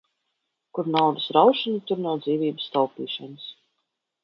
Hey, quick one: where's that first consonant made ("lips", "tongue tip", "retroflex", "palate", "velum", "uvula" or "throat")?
velum